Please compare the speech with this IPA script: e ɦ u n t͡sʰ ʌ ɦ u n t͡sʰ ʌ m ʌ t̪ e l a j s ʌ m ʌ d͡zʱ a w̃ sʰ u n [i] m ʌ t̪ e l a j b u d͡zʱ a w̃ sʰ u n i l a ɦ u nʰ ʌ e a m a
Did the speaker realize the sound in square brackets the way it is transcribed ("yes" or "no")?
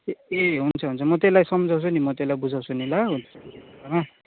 yes